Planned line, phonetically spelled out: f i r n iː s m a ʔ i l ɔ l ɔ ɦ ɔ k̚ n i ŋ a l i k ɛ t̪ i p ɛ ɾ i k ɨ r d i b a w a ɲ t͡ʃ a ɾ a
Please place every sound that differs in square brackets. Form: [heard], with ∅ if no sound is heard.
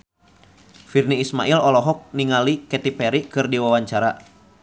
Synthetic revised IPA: f i r n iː s m a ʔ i l ɔ l ɔ ɦ ɔ k̚ n i ŋ a l i k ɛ t̪ i p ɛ ɾ i k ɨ r d i [w] a w a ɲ t͡ʃ a ɾ a